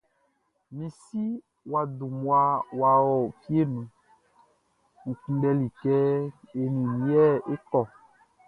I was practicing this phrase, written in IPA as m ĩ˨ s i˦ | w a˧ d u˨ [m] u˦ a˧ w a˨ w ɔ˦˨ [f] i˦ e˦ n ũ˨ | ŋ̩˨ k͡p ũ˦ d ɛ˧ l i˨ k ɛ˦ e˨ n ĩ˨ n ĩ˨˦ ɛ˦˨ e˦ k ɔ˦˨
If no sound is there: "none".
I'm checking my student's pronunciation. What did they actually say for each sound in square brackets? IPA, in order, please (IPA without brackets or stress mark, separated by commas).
m, f